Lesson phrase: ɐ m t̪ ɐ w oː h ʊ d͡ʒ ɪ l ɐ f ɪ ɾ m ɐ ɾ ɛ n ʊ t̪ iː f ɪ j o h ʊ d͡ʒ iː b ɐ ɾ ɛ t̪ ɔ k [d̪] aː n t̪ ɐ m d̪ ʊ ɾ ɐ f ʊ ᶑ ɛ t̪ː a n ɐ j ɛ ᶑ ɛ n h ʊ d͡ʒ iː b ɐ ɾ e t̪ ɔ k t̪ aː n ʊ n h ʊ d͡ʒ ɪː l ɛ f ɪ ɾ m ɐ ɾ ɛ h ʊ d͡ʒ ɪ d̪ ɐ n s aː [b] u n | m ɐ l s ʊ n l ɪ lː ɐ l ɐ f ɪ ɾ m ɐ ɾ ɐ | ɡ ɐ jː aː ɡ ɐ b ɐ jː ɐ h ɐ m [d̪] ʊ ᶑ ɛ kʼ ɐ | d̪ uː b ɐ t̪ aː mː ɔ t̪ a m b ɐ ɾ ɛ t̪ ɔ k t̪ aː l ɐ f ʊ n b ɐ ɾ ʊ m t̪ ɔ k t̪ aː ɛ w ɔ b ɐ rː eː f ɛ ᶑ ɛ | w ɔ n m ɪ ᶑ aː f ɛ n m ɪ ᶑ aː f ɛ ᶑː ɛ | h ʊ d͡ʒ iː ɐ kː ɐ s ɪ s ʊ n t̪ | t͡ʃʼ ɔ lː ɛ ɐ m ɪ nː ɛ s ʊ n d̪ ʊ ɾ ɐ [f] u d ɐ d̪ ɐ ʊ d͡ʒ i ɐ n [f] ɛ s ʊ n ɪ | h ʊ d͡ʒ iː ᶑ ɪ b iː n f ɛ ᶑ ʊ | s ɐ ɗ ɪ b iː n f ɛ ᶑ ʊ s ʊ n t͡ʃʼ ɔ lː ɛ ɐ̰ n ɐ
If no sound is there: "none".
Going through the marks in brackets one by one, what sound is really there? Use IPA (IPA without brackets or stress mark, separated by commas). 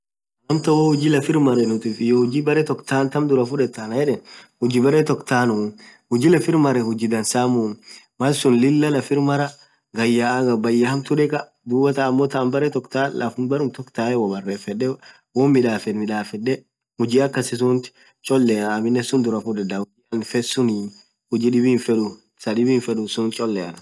t̪, m, t̪, f, f